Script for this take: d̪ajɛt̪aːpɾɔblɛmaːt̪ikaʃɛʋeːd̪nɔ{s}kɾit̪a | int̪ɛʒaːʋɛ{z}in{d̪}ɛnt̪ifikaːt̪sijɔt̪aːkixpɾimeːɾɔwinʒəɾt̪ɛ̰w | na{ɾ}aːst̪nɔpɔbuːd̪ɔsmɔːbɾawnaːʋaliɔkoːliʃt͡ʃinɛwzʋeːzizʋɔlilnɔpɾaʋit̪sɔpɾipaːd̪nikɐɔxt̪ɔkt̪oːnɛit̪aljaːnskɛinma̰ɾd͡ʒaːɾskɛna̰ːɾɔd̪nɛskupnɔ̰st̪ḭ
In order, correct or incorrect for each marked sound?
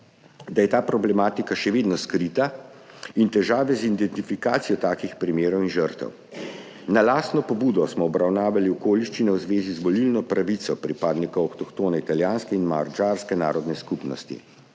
correct, correct, correct, incorrect

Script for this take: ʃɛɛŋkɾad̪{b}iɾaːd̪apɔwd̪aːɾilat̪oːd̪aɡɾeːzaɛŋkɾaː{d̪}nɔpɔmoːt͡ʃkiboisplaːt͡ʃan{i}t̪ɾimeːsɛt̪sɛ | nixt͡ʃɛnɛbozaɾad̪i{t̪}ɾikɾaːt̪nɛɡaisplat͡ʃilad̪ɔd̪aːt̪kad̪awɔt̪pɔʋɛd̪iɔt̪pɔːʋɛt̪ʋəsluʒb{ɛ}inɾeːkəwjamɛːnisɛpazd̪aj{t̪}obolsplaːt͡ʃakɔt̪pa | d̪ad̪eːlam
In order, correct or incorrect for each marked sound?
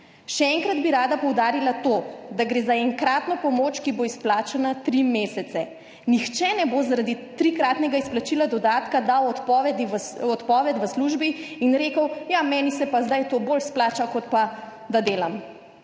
correct, incorrect, incorrect, correct, incorrect, correct

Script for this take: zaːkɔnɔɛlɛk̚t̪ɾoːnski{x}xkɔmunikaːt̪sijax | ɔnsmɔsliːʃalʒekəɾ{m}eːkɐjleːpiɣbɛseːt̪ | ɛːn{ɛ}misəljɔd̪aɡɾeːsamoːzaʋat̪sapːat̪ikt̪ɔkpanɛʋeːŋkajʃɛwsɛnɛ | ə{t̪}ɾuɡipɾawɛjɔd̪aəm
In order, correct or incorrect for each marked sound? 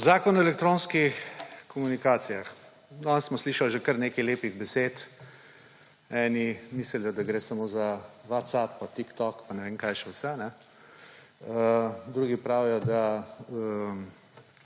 correct, incorrect, incorrect, incorrect

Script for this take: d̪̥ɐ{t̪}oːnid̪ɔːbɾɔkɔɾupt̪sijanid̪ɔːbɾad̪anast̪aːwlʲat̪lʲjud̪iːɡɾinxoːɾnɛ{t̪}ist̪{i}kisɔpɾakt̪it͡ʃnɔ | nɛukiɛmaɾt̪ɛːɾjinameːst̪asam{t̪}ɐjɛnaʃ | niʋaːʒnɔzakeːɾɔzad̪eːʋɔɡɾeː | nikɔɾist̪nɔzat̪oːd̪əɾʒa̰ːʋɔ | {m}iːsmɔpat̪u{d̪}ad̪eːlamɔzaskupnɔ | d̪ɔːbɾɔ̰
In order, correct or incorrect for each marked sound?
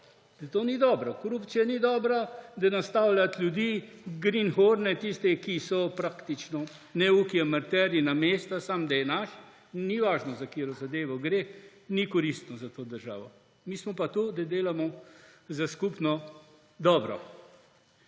correct, correct, incorrect, incorrect, correct, correct

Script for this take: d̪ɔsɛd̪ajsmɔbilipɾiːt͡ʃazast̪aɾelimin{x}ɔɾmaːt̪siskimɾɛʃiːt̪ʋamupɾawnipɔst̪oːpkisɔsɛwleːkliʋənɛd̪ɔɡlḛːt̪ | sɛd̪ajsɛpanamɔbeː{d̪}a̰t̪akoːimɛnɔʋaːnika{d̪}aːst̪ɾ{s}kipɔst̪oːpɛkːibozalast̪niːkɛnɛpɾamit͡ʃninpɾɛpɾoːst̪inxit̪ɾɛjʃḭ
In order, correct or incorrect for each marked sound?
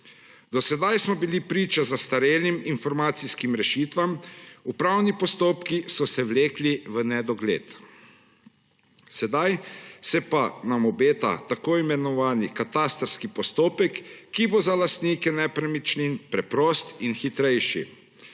incorrect, incorrect, incorrect, correct

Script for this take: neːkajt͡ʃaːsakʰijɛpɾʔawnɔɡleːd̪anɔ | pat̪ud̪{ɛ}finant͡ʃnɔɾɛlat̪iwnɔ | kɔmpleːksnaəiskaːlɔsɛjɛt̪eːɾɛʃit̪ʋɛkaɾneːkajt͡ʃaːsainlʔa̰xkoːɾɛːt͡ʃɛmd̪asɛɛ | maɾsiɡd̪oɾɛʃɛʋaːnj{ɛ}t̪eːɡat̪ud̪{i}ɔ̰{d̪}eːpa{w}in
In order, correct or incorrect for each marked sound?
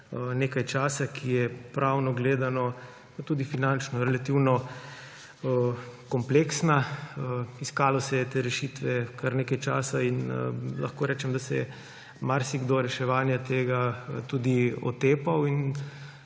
incorrect, incorrect, correct, incorrect, correct

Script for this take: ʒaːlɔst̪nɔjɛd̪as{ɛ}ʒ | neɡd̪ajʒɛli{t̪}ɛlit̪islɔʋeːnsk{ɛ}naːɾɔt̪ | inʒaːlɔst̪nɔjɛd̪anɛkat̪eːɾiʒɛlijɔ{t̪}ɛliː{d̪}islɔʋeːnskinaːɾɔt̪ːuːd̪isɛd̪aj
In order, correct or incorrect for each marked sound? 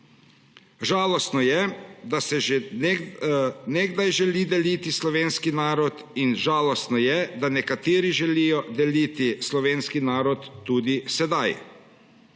correct, incorrect, incorrect, incorrect, incorrect

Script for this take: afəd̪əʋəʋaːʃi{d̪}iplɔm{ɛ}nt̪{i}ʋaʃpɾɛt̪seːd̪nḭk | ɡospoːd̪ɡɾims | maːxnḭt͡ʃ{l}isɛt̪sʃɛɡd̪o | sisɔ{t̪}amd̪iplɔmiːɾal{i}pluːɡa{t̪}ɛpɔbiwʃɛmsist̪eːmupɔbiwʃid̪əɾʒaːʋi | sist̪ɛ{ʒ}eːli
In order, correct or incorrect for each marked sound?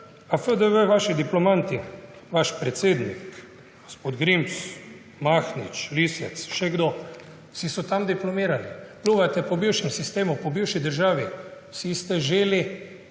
correct, incorrect, correct, correct, correct, correct, correct, correct

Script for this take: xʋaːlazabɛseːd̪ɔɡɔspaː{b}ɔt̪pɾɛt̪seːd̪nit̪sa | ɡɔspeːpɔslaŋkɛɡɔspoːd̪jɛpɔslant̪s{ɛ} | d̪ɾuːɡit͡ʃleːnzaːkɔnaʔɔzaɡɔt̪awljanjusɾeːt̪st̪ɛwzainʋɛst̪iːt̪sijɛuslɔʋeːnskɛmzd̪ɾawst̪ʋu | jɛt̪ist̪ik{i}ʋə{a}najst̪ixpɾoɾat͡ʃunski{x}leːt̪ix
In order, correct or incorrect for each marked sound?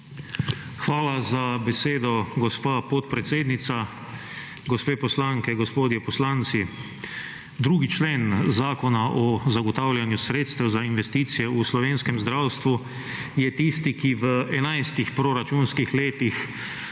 incorrect, incorrect, correct, incorrect, correct

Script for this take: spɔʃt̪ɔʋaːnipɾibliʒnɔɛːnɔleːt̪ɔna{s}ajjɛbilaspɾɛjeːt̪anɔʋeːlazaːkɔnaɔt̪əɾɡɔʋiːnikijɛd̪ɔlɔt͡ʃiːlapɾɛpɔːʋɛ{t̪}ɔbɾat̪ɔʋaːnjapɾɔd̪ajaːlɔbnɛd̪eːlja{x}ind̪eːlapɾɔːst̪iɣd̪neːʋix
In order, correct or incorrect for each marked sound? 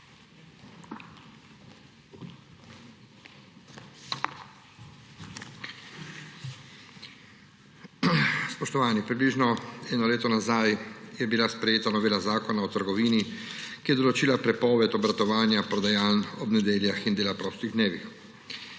incorrect, correct, correct

